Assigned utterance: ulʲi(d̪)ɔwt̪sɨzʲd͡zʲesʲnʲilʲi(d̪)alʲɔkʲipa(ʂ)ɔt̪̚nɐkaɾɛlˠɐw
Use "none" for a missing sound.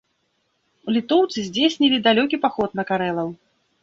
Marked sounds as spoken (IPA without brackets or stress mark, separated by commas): t̪, d̪, x